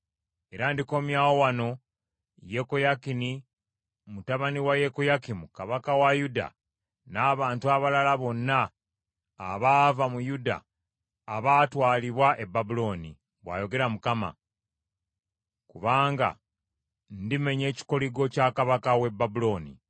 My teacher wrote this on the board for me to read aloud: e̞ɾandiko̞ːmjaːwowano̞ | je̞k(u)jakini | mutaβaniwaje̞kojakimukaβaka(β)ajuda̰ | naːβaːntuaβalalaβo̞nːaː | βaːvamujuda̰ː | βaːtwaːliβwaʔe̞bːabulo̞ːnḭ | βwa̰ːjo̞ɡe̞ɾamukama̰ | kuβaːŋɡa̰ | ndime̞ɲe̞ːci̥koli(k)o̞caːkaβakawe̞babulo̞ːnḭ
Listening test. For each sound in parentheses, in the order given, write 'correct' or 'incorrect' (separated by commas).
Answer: incorrect, incorrect, incorrect